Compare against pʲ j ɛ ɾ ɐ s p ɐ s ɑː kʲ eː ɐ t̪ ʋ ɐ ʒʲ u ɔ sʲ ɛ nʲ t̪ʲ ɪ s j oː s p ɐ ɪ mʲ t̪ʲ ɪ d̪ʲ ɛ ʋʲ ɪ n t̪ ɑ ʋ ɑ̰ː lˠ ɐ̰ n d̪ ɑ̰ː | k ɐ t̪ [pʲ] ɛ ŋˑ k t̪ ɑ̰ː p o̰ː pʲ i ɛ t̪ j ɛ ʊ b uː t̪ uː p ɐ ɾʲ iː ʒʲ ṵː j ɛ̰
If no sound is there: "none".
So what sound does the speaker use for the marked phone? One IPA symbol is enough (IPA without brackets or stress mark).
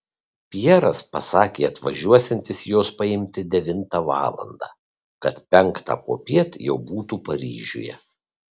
pʲ